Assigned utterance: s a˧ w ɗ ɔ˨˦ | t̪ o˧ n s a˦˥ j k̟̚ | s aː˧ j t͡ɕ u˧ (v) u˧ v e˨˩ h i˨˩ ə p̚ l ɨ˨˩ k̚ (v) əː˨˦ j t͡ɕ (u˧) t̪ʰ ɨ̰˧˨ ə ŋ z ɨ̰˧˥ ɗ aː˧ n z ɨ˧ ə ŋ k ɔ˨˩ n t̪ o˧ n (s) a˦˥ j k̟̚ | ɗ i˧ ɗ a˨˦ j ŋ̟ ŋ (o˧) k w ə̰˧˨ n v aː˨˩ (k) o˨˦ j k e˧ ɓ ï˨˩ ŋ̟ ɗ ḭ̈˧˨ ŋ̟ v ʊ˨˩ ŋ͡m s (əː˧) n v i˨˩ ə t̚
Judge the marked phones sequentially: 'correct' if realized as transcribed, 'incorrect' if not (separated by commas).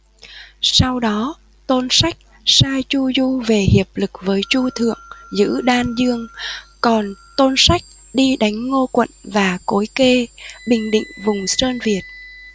incorrect, correct, correct, correct, correct, correct, correct